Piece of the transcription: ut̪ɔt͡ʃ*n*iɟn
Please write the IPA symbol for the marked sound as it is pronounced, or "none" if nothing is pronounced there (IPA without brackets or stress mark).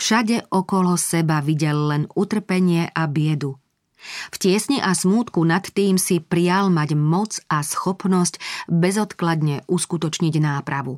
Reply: ɲ